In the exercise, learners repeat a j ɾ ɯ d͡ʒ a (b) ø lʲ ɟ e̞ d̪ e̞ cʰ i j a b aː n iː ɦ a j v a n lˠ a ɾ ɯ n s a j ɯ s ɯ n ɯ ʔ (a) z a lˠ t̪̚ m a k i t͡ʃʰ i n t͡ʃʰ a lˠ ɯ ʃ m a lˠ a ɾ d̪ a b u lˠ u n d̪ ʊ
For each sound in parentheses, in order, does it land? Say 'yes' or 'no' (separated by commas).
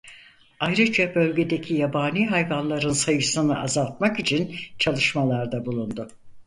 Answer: yes, yes